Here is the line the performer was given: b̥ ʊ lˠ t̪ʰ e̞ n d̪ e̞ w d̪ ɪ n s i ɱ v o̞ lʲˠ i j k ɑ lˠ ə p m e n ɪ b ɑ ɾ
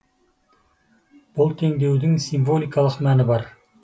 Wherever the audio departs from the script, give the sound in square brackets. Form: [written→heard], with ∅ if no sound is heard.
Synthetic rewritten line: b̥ ʊ lˠ t̪ʰ e̞ [n→ŋ] d̪ e̞ w d̪ ɪ [n→ŋ] s i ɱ v o̞ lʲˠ i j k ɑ lˠ ə [p→q] m [e→æ] n ɪ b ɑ ɾ